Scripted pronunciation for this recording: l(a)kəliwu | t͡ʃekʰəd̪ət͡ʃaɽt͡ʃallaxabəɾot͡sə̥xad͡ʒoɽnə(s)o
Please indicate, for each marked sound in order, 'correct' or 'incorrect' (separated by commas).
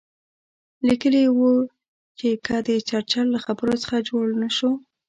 incorrect, incorrect